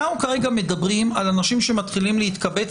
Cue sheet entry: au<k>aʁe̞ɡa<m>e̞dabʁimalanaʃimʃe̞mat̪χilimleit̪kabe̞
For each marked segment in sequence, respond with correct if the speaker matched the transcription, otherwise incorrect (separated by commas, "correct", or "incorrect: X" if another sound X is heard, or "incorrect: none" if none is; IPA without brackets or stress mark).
correct, correct